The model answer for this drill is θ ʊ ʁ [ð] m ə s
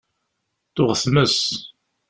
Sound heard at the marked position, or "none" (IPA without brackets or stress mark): θ